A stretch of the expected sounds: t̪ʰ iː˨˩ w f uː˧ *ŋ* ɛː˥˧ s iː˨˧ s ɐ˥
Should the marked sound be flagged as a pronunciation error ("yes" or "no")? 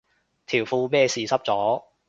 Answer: yes